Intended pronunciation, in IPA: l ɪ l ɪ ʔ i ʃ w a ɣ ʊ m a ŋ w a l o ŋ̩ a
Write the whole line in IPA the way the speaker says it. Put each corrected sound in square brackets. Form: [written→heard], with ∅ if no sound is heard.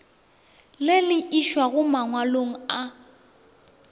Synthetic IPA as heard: l ɪ l ɪ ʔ i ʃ w a ɣ ʊ m a ŋ w a l o ŋ̩ a